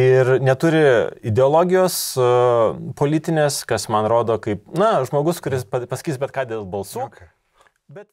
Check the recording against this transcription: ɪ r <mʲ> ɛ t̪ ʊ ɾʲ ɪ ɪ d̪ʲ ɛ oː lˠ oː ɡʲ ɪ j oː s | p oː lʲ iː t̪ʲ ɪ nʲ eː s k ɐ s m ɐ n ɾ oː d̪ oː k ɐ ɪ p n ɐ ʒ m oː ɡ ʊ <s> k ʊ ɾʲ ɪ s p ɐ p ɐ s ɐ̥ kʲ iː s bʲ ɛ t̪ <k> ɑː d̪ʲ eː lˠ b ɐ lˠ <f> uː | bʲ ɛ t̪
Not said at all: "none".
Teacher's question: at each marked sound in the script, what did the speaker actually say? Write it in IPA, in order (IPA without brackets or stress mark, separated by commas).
nʲ, s, k, s